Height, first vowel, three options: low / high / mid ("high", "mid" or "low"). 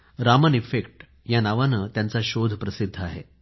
low